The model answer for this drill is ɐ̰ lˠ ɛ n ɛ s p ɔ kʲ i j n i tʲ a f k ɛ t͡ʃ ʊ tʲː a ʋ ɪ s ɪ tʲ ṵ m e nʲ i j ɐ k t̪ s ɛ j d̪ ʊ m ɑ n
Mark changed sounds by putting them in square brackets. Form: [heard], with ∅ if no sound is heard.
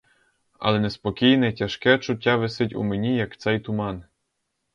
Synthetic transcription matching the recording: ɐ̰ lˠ ɛ n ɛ s p ɔ kʲ i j n [ɛ] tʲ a [ʃ] k ɛ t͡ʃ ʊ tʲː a ʋ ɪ s ɪ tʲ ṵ m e nʲ i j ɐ k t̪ s ɛ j [t̪] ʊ m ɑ n